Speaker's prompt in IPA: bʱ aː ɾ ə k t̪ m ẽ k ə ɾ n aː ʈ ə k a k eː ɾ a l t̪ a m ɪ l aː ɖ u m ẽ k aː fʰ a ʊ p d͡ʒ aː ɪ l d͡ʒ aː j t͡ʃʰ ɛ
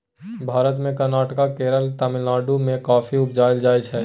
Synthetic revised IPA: bʱ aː ɾ ə t̪ m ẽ k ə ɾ n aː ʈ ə k a k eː ɾ ə l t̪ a m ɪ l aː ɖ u m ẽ k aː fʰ i ʊ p d͡ʒ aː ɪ l d͡ʒ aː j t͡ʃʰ ɛ